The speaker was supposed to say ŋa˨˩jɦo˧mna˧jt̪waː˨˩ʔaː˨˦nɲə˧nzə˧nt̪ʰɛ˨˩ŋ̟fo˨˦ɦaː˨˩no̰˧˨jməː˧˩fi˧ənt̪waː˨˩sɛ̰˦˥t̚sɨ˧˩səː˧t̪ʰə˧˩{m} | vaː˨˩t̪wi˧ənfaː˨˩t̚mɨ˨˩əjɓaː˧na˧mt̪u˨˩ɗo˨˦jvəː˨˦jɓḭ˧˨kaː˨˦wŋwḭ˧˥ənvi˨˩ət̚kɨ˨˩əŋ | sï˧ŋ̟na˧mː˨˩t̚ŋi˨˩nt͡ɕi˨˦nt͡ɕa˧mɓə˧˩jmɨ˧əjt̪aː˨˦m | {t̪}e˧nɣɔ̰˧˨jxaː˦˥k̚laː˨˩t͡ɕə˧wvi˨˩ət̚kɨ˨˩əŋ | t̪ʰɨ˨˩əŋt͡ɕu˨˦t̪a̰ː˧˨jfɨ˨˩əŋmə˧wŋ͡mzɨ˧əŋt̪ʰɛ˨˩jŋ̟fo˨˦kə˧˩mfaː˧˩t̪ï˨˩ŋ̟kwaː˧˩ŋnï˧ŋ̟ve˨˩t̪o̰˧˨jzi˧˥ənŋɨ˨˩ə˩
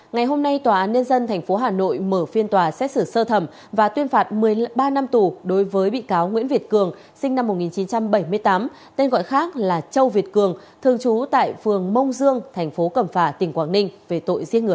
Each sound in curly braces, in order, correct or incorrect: correct, correct

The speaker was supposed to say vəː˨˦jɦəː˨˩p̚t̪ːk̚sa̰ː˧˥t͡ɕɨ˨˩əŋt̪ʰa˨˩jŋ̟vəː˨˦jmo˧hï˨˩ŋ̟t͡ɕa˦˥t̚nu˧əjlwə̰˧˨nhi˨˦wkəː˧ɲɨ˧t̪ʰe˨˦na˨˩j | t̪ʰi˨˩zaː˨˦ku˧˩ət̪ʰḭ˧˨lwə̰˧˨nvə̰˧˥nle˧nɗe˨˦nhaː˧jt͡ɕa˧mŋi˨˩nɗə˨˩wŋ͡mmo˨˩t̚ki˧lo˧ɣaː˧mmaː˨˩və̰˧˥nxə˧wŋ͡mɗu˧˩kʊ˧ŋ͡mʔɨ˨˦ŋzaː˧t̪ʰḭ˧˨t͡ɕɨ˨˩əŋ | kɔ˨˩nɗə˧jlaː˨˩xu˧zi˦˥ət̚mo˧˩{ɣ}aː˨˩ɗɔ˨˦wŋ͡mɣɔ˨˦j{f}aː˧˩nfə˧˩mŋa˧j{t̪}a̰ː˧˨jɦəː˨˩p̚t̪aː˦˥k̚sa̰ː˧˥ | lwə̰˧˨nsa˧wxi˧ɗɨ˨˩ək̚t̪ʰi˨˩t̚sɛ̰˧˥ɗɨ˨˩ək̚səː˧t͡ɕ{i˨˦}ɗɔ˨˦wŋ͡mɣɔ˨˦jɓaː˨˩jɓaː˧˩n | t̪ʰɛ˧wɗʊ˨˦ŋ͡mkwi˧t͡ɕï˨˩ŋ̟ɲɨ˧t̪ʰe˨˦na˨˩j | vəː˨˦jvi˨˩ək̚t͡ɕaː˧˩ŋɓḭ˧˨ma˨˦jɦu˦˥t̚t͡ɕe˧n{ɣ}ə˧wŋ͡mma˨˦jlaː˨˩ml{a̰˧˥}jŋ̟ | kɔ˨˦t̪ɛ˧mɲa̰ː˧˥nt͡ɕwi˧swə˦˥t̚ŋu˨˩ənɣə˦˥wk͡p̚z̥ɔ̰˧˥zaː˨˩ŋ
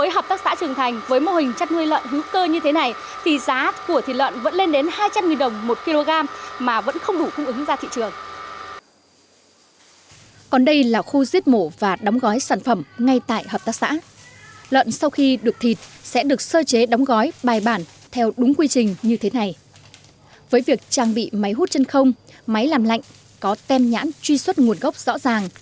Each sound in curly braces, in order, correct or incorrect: incorrect: v, incorrect: s, correct, incorrect: e˨˦, incorrect: x, incorrect: a̰˧˨

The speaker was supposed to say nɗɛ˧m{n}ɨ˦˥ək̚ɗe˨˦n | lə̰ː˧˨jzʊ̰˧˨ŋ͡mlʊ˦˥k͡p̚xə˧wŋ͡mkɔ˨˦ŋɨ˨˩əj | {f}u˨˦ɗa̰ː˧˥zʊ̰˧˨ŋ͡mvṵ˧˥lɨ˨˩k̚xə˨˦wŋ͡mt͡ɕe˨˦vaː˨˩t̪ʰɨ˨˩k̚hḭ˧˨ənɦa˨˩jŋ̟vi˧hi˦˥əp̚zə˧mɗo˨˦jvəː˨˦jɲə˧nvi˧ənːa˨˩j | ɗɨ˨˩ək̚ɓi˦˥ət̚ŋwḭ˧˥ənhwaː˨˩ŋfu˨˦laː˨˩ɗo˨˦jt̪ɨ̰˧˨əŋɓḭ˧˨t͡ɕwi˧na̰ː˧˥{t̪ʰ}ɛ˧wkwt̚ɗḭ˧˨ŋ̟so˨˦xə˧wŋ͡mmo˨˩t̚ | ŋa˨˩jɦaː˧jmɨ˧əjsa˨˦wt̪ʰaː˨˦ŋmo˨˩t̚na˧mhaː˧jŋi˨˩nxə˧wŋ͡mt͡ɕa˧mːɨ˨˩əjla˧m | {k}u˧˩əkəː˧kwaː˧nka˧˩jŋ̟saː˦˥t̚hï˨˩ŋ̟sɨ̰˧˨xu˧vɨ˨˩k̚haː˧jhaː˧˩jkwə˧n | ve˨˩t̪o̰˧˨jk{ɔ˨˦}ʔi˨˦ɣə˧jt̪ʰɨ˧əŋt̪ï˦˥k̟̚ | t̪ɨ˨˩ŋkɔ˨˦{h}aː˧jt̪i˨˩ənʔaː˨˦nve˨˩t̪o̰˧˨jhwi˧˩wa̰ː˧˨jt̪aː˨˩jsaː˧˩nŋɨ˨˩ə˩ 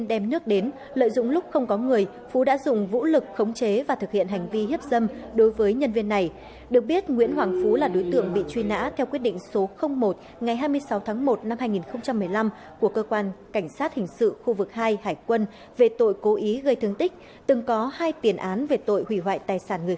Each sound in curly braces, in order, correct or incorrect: correct, correct, correct, correct, incorrect: o˨˦, correct

